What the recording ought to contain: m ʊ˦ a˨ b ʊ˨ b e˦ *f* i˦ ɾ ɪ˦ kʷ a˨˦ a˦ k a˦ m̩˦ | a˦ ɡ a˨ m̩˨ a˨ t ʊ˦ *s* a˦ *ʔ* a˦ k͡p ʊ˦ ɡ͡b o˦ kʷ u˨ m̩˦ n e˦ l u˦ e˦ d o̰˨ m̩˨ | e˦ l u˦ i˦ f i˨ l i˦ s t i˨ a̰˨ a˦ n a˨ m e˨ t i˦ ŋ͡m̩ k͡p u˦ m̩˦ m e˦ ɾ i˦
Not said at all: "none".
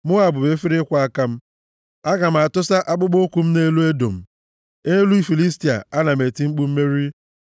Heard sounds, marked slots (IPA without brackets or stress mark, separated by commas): f, s, ʔ